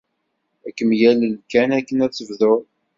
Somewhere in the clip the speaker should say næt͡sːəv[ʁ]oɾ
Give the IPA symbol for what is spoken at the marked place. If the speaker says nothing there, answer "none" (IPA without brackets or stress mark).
ð